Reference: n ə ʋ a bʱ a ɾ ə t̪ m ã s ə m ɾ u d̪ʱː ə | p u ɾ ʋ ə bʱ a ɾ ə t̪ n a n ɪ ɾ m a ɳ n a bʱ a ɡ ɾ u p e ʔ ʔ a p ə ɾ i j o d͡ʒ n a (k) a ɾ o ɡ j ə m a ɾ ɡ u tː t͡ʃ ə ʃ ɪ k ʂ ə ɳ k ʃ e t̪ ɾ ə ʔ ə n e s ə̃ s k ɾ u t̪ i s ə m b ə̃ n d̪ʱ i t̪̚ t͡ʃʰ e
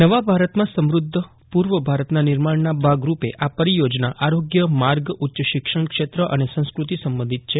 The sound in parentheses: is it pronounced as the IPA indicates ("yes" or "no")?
no